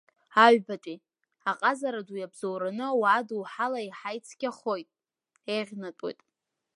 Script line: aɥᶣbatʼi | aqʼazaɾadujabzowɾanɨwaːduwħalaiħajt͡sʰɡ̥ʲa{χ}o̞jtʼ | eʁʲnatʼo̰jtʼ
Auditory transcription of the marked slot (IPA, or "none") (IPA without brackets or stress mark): χ